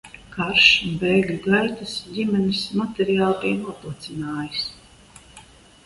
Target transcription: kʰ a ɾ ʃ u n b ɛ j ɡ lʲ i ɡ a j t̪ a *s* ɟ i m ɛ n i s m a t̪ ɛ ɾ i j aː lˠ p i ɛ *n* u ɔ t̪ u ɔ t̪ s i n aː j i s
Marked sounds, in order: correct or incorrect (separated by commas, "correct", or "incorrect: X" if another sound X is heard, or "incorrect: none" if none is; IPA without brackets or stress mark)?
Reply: correct, correct